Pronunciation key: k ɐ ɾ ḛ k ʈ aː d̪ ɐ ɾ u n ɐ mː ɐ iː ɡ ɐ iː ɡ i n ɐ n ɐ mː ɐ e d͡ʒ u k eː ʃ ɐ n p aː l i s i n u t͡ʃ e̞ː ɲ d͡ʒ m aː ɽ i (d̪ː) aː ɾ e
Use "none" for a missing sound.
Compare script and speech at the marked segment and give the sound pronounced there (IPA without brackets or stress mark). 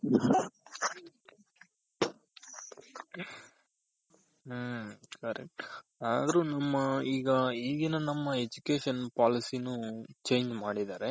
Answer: d̪